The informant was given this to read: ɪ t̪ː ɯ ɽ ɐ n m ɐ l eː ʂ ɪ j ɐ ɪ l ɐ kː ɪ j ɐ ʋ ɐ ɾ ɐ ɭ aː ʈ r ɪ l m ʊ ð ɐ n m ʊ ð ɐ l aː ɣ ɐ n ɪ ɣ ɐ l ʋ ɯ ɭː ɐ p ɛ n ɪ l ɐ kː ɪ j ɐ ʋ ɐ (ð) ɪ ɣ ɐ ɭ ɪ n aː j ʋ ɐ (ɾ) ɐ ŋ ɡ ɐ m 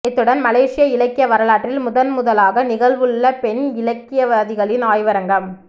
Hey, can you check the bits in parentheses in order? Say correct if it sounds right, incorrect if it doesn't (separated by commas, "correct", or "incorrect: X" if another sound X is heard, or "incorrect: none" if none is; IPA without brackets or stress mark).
correct, correct